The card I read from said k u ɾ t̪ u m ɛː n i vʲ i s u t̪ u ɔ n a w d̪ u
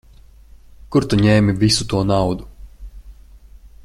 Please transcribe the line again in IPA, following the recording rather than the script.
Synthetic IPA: k u ɾ t̪ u ɲ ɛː m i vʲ i s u t̪ u ɔ n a w d̪ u